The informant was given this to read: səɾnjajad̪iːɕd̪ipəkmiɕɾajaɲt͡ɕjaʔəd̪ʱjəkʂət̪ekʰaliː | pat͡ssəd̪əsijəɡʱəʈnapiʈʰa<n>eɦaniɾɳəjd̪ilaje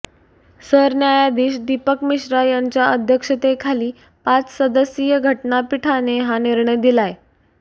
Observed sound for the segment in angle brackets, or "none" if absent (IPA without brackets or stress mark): n